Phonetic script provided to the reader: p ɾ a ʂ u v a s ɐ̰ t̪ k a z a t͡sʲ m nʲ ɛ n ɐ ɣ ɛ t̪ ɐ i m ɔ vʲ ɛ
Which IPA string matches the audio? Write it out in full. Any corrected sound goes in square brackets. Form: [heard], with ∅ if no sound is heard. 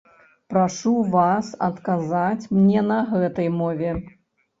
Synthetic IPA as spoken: p ɾ a ʂ u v a s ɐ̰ t̪ k a z a t͡sʲ m nʲ ɛ n ɐ ɣ ɛ t̪ ɐ [j] m ɔ vʲ ɛ